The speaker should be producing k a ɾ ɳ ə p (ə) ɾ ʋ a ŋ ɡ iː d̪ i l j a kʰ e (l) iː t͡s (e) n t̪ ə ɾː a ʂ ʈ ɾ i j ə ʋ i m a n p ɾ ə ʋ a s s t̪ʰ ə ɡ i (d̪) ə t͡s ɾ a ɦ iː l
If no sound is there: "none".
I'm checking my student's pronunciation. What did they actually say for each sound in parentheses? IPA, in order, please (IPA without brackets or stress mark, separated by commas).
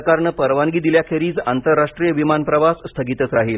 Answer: ə, ɾ, a, t̪